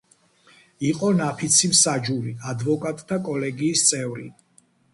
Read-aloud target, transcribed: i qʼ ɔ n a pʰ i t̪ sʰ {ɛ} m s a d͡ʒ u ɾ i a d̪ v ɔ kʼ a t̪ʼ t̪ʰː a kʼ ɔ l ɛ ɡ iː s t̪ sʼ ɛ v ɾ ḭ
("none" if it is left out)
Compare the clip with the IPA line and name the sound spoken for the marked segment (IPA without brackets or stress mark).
i